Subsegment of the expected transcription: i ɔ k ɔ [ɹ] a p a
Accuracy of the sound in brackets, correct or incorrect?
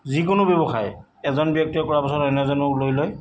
correct